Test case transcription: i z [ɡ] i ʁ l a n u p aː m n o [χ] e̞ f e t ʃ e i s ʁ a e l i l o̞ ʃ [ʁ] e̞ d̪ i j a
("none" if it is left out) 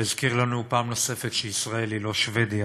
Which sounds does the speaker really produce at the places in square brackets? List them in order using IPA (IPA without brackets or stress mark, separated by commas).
k, s, v